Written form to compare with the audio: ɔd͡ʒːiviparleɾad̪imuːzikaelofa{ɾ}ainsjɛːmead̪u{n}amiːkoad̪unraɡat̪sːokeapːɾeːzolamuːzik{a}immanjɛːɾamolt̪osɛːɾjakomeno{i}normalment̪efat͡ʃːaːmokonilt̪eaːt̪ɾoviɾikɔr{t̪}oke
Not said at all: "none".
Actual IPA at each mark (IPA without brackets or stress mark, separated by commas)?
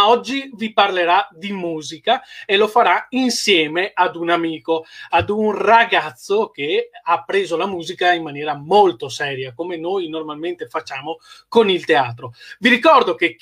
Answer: ɾ, n, a, j, d̪